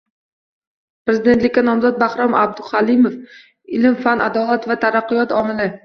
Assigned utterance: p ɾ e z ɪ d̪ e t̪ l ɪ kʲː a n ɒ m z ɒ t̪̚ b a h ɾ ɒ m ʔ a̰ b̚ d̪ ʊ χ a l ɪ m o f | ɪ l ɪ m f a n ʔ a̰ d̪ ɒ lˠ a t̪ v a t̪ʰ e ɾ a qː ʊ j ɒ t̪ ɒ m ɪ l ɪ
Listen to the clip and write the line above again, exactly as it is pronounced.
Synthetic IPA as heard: p ɾ e z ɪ d̪ e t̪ l ɪ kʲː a n ɒ m z ɒ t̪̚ b a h ɾ ɒ m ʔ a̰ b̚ d̪ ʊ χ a l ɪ m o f | ɪ l ɪ m f a n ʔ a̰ d̪ ɒ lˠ a t̪ v a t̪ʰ a ɾ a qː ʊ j ɒ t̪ ɒ m ɪ l ɪ